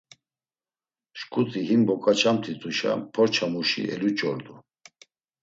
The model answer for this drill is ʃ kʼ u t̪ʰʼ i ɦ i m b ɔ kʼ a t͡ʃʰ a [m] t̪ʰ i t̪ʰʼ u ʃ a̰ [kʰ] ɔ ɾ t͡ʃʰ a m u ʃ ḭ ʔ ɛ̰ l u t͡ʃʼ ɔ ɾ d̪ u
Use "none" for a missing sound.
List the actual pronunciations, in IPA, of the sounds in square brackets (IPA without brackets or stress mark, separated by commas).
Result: m, pʰ